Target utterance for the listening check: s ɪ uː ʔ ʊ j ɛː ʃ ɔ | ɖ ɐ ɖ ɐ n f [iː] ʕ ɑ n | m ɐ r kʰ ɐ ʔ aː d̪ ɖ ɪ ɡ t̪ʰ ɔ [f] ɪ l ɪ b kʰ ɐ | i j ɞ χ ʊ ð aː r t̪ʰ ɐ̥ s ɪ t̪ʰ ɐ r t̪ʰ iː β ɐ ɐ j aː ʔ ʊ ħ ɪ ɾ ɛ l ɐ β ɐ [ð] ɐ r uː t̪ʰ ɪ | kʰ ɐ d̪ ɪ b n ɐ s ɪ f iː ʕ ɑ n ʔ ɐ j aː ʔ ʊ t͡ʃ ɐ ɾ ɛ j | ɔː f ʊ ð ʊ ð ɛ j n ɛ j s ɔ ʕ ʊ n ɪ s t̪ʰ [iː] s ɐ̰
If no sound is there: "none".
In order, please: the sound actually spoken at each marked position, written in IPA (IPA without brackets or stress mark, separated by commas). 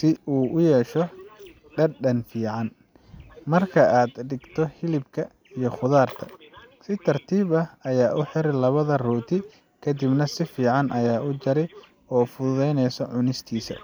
iː, h, ð, iː